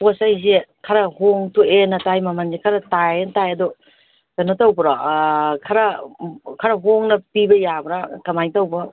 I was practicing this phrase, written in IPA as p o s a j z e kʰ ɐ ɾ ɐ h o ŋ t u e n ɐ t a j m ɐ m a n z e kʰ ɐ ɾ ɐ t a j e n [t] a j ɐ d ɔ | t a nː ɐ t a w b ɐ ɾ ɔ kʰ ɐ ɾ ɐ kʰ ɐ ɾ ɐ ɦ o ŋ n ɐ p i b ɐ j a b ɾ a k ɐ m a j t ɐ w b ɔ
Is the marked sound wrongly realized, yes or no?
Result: no